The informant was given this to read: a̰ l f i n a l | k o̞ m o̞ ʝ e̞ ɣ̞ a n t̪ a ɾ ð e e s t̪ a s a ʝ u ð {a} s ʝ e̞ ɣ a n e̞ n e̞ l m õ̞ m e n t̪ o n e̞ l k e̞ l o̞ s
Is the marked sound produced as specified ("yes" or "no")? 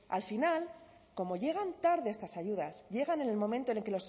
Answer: yes